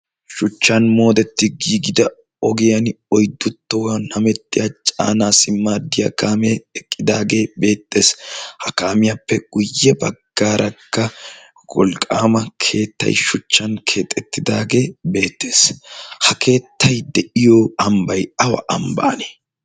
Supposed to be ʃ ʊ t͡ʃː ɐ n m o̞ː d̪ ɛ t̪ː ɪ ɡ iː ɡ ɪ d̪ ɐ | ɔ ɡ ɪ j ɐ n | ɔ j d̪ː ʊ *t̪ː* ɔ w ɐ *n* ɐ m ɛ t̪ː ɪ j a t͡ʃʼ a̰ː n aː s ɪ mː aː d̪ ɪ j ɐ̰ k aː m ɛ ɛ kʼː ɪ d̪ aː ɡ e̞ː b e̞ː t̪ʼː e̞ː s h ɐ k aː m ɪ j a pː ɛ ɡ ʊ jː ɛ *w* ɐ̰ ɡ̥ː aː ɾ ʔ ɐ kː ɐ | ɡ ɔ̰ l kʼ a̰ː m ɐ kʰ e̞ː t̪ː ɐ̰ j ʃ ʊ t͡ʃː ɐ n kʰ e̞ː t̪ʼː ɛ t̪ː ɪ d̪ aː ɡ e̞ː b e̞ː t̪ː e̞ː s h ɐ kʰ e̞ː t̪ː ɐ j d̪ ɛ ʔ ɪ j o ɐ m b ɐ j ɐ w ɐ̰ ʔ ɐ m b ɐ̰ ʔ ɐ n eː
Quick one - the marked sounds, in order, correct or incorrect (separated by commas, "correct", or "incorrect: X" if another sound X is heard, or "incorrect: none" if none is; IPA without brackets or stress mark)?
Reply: correct, correct, incorrect: b